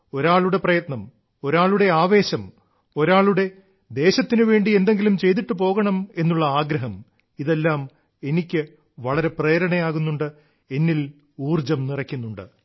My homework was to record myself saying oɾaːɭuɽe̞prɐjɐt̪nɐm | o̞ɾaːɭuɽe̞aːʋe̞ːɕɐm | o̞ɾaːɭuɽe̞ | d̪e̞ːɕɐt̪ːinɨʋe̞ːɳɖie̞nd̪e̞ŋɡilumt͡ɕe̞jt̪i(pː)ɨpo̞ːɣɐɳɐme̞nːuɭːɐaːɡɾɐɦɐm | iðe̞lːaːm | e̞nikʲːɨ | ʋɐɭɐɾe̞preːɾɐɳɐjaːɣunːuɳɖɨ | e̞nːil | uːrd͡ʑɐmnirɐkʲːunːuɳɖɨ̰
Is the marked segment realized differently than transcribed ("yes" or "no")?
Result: yes